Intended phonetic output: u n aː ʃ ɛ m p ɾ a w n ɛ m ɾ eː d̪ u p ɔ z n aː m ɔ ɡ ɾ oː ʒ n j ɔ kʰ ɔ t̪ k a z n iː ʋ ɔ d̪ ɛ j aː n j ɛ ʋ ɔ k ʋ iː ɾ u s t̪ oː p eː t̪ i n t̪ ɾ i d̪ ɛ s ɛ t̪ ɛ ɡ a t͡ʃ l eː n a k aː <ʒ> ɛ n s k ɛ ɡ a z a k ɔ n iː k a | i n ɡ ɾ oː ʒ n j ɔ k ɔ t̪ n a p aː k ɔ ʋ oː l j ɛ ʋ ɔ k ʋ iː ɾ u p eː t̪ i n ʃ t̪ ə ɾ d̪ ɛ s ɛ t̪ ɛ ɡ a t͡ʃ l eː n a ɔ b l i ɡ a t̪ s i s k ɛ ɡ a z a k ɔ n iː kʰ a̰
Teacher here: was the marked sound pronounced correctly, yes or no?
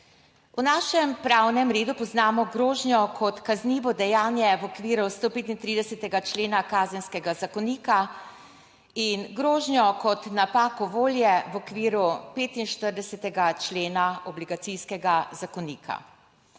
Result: no